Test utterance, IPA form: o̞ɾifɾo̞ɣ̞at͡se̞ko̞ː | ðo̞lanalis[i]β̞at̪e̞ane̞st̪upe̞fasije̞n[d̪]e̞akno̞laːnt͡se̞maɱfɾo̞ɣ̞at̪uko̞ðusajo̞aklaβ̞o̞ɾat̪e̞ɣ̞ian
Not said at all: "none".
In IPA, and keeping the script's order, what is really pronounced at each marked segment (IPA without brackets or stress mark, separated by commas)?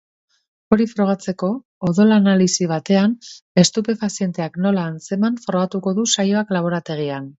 i, t̪